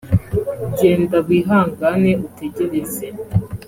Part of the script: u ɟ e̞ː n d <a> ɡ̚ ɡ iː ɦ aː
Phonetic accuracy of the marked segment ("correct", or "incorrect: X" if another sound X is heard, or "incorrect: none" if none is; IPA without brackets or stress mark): correct